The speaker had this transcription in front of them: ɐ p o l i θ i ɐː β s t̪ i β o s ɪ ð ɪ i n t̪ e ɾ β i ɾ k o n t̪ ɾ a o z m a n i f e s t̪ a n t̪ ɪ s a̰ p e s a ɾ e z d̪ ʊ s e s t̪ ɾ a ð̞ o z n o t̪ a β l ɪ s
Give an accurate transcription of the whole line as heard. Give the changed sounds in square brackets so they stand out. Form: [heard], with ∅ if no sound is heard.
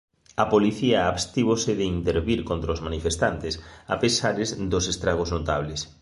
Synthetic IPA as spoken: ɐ p o l i θ i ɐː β s t̪ i β o s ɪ ð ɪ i n t̪ e ɾ β i ɾ k o n t̪ ɾ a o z m a n i f e s t̪ a n t̪ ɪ s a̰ p e s a ɾ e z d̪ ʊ s e s t̪ ɾ a [ɣ̞] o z n o t̪ a β l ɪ s